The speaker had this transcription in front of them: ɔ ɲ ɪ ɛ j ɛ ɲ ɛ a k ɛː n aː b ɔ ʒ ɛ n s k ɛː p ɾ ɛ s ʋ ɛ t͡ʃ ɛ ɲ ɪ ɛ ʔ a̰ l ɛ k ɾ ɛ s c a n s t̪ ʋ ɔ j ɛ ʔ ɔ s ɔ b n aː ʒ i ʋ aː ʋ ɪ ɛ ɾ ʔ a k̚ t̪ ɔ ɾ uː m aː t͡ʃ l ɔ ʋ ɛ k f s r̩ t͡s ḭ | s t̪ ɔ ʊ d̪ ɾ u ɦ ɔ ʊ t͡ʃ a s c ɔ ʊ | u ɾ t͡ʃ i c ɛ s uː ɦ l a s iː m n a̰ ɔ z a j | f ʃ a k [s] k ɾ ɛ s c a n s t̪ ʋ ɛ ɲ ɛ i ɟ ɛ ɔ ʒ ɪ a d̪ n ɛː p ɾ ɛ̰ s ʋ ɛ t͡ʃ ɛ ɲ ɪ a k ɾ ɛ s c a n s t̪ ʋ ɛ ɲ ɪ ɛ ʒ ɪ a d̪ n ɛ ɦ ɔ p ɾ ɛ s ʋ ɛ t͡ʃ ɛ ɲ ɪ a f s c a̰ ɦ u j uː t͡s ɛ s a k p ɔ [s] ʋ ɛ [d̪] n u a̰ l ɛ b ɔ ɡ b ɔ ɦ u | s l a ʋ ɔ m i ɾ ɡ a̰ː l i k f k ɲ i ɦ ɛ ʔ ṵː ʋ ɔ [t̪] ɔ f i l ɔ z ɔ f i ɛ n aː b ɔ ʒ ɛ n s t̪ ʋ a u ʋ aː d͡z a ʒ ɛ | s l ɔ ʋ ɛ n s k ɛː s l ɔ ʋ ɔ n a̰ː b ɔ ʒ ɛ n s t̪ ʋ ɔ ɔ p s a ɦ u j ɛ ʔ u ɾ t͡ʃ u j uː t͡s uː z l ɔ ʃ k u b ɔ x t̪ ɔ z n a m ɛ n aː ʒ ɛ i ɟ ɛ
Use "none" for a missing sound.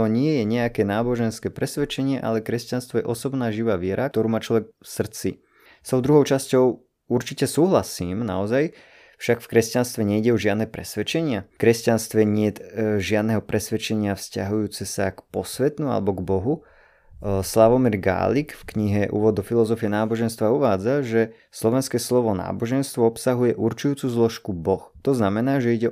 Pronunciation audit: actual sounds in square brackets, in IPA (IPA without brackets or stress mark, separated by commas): f, s, t̪, d̪